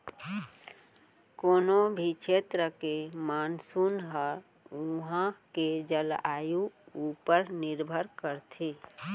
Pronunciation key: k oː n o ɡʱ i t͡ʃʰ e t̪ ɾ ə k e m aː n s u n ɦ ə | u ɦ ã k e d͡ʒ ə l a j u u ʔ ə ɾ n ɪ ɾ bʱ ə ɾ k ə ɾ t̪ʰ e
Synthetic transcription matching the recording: k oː n o bʱ i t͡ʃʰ e t̪ ɾ ə k e m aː n s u n ɦ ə | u ɦ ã k e d͡ʒ ə l a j u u p ə ɾ n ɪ ɾ bʱ ə ɾ k ə ɾ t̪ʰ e